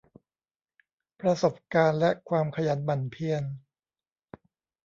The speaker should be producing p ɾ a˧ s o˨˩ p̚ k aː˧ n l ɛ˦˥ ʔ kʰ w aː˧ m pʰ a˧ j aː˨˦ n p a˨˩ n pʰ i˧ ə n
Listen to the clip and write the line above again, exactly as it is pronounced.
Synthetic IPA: p ɾ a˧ s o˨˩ p̚ k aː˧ n l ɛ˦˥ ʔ kʰ w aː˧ m kʰ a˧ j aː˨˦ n b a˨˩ n pʰ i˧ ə n